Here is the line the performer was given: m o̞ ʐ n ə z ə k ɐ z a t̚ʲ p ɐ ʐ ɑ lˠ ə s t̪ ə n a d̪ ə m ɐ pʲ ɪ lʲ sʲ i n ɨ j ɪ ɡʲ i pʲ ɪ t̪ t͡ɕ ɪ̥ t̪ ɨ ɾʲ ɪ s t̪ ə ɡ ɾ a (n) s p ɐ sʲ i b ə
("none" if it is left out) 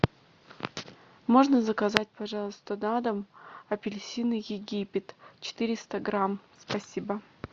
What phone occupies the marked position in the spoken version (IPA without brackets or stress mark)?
m